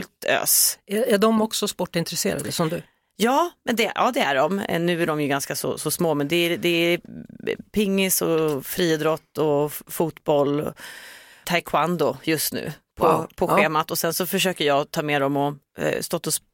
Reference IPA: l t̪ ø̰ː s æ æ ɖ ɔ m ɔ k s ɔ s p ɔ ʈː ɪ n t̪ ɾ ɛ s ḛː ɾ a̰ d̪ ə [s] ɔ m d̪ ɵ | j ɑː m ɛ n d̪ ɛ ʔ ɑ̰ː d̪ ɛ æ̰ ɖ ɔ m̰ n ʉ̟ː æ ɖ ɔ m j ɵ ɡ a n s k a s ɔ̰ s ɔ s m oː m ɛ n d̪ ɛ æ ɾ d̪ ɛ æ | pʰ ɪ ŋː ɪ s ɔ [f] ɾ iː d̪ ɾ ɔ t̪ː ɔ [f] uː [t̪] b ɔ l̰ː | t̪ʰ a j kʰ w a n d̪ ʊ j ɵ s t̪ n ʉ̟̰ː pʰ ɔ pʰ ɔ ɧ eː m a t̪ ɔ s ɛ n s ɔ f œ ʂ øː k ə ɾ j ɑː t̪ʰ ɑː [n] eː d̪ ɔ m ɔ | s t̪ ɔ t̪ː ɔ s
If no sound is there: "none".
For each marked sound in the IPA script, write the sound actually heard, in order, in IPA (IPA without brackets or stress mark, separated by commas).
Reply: s, f, f, t̪, m